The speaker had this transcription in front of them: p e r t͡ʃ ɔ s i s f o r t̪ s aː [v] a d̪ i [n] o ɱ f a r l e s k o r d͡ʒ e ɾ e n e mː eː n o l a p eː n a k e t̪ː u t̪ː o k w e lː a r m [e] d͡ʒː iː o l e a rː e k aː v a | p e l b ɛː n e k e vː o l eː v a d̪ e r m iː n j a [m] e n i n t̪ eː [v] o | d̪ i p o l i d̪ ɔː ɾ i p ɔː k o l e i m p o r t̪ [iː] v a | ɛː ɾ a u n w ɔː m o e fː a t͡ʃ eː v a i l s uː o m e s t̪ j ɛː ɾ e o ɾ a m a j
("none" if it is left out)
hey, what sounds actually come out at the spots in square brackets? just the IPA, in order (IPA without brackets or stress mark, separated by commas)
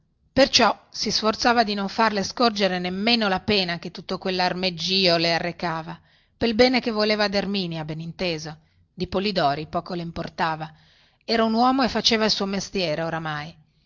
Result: v, n, e, b, z, aː